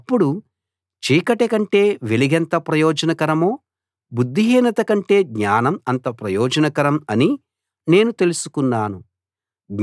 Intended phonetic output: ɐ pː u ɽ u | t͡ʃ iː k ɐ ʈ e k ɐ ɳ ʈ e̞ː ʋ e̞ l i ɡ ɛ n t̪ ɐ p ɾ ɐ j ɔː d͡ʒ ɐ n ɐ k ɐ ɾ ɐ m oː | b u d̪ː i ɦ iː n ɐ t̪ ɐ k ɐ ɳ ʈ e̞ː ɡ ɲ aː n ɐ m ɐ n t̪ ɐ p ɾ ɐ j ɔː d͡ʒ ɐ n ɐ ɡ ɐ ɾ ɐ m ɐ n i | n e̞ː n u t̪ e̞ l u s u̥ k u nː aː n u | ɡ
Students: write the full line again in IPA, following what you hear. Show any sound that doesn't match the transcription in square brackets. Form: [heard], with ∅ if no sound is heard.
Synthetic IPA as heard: ɐ pː u ɽ u | t͡ʃ iː k ɐ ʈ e k ɐ ɳ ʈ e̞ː ʋ e̞ l i ɡ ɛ n t̪ ɐ p ɾ ɐ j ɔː d͡ʒ ɐ n ɐ k ɐ ɾ ɐ m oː | b u d̪ː i ɦ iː n ɐ t̪ ɐ k ɐ ɳ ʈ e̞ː ɡ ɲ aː n ɐ m ɐ n t̪ ɐ p ɾ ɐ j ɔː d͡ʒ ɐ n ɐ [k] ɐ ɾ ɐ m ɐ n i | n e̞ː n u t̪ e̞ l u s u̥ k u nː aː n u | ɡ